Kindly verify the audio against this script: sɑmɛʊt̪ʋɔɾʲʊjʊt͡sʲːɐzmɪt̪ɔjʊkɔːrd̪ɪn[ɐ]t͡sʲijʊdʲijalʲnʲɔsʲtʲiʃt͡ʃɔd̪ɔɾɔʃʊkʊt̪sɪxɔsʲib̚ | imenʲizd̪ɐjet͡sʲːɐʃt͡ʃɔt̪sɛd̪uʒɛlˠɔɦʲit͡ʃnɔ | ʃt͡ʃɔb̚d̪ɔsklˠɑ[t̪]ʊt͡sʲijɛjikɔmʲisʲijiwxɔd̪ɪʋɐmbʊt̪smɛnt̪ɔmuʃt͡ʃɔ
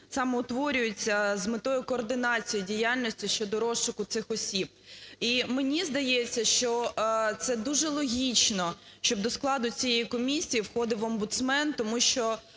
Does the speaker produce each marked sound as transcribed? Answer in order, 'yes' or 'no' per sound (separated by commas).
no, no